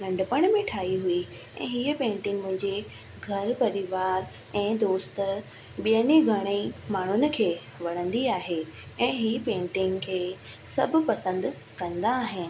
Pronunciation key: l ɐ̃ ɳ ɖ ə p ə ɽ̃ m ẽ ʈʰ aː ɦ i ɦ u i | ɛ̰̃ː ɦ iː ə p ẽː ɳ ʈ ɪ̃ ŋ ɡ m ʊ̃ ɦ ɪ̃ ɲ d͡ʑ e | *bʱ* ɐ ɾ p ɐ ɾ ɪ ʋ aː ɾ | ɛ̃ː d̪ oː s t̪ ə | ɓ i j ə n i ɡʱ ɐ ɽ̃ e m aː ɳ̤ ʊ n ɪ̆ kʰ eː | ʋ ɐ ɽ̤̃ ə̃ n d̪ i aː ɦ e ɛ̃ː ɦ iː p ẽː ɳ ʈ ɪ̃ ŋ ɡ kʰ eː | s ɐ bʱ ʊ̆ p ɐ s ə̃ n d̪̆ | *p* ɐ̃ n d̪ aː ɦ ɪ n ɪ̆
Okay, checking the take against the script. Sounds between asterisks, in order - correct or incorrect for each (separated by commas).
incorrect, incorrect